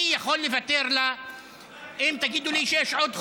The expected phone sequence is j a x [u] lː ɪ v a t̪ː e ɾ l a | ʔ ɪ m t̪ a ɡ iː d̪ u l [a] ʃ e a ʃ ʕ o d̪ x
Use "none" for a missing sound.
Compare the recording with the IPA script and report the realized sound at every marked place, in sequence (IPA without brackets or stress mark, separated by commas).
o, i